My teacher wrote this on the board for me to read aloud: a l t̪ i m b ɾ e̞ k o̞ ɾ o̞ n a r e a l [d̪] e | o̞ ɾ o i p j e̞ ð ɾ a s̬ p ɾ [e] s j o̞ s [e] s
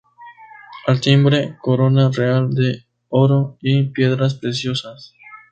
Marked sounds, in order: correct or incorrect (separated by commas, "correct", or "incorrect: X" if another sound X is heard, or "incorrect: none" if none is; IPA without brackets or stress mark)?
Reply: correct, correct, incorrect: a